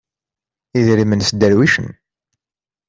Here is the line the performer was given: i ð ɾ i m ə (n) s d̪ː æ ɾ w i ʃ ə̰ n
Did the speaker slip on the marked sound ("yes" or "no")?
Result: no